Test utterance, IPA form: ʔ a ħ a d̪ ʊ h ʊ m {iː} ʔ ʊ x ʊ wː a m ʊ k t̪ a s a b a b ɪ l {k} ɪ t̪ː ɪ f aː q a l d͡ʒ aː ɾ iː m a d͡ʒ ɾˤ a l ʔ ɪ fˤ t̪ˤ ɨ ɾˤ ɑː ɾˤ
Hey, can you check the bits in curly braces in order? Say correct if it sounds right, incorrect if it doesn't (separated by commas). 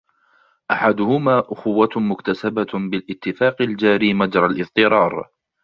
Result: incorrect, incorrect